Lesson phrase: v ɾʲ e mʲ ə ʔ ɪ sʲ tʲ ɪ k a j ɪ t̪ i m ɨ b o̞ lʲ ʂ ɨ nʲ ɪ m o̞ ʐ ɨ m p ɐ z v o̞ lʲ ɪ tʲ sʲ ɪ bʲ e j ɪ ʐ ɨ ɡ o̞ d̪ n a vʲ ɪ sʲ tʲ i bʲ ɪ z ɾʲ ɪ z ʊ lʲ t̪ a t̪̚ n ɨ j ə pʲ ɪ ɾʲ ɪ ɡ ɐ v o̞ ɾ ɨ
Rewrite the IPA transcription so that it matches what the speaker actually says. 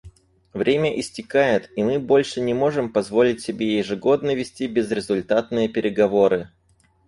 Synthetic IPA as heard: v ɾʲ e mʲ ə ʔ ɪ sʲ tʲ ɪ k a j ɪ t̪ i m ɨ b o̞ lʲ ʂ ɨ nʲ ɪ m o̞ ʐ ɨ m p ɐ z v o̞ lʲ ɪ tʲ sʲ ɪ bʲ e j ɪ ʐ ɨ ɡ o̞ d̪ n ə vʲ ɪ sʲ tʲ i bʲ ɪ z ɾʲ ɪ z ʊ lʲ t̪ a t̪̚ n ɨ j ə pʲ ɪ ɾʲ ɪ ɡ ɐ v o̞ ɾ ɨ